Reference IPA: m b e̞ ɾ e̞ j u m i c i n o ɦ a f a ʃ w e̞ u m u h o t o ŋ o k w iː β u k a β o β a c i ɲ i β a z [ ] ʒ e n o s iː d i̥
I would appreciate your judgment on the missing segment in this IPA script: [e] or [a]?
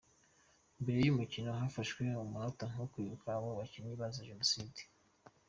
a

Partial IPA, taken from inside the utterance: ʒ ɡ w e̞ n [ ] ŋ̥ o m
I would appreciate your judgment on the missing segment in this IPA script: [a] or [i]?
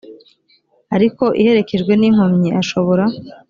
i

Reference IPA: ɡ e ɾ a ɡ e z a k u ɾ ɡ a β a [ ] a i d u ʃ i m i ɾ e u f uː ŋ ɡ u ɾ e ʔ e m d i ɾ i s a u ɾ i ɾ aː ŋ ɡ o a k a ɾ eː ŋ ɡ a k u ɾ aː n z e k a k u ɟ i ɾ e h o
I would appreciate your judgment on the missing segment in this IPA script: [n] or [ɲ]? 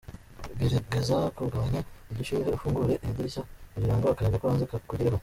ɲ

